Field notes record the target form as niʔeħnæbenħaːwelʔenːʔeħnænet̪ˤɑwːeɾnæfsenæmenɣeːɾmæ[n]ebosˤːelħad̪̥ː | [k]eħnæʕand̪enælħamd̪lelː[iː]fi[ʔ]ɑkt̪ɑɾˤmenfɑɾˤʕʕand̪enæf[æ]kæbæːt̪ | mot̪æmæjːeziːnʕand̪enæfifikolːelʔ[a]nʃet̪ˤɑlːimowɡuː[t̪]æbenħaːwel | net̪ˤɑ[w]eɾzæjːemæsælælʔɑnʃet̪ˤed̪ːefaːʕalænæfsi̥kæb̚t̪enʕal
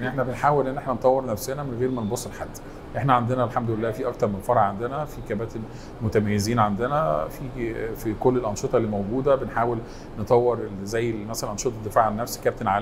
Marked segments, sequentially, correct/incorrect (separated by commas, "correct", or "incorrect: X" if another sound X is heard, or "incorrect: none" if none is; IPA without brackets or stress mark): correct, incorrect: ʔ, incorrect: æː, correct, incorrect: i, incorrect: ɑ, incorrect: d̪, incorrect: wː